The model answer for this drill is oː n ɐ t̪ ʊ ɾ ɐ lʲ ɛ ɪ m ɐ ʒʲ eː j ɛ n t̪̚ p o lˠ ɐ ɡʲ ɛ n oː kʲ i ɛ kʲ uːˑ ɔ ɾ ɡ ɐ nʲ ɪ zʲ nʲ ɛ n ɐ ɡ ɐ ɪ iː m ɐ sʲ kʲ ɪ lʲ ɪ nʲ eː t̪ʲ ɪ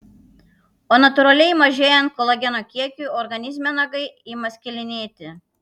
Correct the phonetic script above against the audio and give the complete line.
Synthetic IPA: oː n ɐ t̪ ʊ ɾ ɐ lʲ ɛ ɪ m ɐ ʒʲ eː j ɛ n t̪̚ k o lˠ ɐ ɡʲ ɛ n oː kʲ i ɛ kʲ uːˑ ɔ ɾ ɡ ɐ nʲ ɪ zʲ mʲ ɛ n ɐ ɡ ɐ ɪ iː m ɐ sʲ kʲ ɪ lʲ ɪ nʲ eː t̪ʲ ɪ